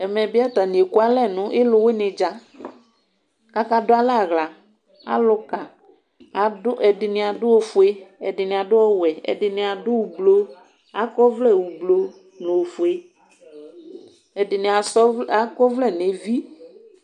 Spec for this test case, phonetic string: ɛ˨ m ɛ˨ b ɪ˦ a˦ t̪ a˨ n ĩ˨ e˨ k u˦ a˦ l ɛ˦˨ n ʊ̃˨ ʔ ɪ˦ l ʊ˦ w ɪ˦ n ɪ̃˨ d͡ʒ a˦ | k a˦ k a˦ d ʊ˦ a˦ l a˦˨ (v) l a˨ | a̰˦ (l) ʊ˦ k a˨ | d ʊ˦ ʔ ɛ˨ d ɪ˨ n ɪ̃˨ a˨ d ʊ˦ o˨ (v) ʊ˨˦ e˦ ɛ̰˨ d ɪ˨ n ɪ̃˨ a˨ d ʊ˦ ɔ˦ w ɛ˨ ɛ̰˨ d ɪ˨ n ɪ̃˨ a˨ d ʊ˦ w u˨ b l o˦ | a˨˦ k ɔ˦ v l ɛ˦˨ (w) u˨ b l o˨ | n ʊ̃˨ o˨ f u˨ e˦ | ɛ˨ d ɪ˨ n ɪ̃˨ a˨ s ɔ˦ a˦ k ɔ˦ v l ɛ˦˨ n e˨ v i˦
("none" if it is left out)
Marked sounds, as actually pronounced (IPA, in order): ɣ, l, f, w

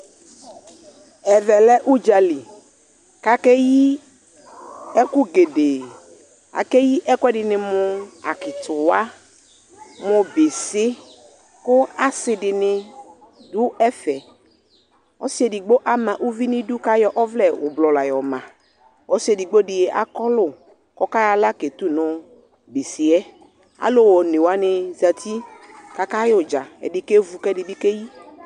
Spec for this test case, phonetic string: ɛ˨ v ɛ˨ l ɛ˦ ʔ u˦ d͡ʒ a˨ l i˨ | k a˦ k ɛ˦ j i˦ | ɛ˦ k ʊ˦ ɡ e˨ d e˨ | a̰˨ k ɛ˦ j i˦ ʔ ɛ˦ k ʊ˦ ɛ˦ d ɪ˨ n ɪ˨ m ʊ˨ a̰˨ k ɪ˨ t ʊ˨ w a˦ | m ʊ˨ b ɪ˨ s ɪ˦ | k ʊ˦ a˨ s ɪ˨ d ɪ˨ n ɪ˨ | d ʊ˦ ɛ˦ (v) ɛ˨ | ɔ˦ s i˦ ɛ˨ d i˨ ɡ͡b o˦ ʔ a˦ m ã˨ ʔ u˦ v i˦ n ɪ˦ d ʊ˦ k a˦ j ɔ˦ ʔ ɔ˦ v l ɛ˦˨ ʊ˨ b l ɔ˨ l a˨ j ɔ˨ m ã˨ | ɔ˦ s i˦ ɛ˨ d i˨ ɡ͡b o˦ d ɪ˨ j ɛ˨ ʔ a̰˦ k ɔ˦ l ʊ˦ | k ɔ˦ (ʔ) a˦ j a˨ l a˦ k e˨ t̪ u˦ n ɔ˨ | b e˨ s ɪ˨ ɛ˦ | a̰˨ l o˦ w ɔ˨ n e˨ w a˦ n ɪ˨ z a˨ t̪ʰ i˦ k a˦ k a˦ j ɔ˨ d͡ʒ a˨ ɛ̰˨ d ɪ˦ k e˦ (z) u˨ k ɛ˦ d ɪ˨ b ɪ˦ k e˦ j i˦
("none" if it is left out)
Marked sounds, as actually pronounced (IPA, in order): f, k, v

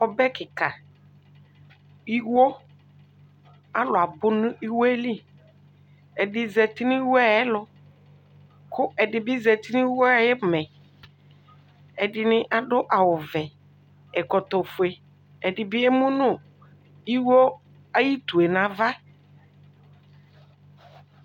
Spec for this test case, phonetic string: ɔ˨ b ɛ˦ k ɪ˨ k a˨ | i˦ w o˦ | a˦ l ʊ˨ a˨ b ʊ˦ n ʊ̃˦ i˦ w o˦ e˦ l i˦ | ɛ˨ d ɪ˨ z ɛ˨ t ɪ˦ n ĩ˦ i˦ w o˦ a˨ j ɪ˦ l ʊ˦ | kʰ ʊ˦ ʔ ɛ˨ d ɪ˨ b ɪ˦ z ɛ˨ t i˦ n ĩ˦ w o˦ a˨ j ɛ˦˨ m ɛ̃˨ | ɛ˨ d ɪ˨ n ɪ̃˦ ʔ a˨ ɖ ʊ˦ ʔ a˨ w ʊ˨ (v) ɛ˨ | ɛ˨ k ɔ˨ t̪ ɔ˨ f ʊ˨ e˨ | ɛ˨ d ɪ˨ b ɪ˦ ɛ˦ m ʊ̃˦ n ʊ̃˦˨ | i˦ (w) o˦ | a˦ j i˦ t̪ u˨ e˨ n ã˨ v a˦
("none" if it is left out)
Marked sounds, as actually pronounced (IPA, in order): v, w

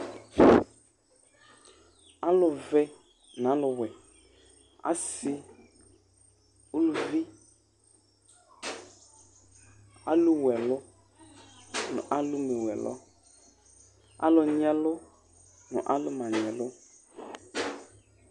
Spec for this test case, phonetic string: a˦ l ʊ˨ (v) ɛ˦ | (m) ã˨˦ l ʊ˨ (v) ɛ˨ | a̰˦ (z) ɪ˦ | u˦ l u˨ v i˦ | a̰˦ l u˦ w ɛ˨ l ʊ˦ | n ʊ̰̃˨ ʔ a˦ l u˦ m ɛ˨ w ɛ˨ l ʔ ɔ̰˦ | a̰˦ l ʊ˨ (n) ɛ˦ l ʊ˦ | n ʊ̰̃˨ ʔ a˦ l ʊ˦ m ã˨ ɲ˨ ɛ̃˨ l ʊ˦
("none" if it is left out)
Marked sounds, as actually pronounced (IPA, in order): v, n, w, s, ɲ

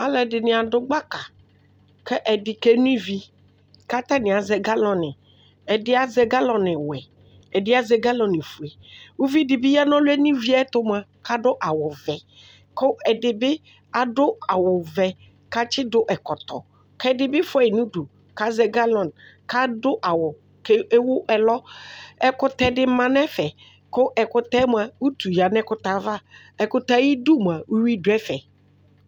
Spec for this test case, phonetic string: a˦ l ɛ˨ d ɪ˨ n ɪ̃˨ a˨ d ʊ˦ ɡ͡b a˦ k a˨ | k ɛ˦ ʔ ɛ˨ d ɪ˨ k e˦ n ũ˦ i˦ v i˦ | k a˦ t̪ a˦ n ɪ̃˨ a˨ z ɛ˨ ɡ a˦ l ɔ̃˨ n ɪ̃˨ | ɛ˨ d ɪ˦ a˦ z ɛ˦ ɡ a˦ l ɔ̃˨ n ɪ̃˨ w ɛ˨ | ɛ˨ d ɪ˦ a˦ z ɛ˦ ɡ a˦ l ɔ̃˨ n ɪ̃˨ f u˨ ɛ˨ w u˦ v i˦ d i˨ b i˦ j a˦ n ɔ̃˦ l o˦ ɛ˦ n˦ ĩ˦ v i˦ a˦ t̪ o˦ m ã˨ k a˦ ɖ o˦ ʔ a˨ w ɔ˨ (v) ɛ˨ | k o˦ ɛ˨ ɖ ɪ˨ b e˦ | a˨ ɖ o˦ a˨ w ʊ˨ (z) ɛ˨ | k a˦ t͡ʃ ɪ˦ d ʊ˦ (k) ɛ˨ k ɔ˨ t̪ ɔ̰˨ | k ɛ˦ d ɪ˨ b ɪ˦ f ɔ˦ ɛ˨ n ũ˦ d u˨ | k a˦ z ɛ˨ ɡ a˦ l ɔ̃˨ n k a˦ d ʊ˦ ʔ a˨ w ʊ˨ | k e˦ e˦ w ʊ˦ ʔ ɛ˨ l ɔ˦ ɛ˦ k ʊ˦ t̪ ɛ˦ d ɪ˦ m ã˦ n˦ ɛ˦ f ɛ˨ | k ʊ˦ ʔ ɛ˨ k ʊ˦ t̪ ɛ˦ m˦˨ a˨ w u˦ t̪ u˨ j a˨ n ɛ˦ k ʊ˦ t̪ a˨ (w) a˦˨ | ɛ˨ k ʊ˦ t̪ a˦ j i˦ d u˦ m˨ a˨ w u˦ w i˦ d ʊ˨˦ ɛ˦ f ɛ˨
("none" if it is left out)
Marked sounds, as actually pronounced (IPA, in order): v, v, ʔ, v

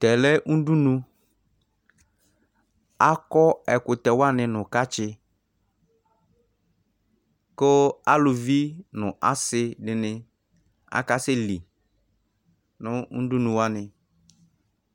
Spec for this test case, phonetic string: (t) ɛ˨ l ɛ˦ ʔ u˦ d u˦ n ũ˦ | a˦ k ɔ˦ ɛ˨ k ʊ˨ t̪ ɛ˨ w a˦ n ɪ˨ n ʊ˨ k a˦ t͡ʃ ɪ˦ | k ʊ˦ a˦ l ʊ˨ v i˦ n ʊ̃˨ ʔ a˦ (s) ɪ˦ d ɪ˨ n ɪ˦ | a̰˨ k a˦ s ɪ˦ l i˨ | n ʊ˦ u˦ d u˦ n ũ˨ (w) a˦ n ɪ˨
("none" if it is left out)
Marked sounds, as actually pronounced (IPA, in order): t, s, w

